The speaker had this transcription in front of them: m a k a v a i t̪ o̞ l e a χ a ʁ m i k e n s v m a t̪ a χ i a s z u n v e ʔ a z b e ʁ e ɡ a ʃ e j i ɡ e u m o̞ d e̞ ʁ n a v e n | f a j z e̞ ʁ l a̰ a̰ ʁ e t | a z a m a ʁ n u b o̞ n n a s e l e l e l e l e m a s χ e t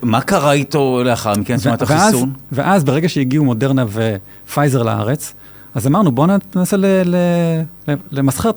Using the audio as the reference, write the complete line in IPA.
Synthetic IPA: m a k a ʁ a i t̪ o̞ l e a χ a ʁ m i k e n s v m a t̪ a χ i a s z u n v e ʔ a z b e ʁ e ɡ a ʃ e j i ɡ i u m o̞ d e̞ ʁ n a v e | f a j z e̞ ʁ l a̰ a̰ ʁ e t͡s | a z a m a ʁ n u b o̞ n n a s e l e l e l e l e m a s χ e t